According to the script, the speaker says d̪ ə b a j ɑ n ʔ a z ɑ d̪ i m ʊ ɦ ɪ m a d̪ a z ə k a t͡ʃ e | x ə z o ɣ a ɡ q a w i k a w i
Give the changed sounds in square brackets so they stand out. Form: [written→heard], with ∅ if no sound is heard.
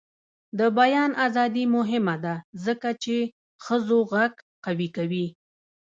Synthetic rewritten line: d̪ ə b a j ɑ n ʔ a z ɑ d̪ i m ʊ ɦ ɪ m a d̪ a z ə k a t͡ʃ e | x ə z o ɣ a ɡ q a w i k a w i